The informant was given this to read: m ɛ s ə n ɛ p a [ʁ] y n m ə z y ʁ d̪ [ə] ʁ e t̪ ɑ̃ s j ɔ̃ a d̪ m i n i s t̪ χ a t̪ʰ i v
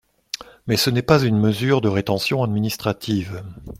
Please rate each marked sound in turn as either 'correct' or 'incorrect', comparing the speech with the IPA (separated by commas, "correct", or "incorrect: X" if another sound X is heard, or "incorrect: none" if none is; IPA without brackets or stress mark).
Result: incorrect: z, correct